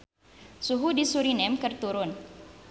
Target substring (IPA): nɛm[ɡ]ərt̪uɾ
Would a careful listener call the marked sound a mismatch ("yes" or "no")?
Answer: yes